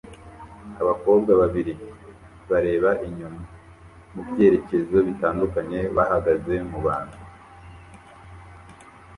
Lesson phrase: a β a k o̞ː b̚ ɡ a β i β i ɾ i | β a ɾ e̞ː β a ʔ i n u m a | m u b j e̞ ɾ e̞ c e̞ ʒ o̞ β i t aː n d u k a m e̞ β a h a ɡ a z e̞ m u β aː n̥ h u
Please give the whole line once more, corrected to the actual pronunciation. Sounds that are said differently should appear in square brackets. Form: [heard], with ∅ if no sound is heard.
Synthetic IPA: a β a k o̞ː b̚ ɡ a β [a] β i ɾ i | β a ɾ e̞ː β a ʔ i [ɲ] u m a | m u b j e̞ ɾ e̞ c e̞ [z] o̞ β i t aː n d u k a [ɲ] e̞ β a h a ɡ a z e̞ m u β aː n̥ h u